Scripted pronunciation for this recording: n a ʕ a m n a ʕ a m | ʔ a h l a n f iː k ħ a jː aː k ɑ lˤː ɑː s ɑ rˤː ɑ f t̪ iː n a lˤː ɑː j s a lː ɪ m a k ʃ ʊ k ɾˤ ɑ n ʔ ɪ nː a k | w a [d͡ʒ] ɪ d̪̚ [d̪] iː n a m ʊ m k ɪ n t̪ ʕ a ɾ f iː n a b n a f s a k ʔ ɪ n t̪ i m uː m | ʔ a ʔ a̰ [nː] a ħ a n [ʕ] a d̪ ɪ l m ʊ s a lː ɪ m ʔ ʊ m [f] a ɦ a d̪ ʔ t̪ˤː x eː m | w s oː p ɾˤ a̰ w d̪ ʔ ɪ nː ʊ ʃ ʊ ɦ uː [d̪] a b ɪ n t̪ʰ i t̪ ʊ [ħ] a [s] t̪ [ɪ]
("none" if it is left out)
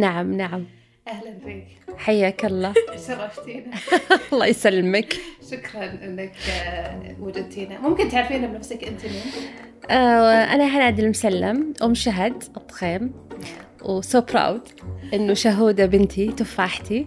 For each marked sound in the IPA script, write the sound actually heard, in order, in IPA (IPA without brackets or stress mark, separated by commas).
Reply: d͡ʒ, t̪, n, ʕ, ʃ, d̪, f, ħ, i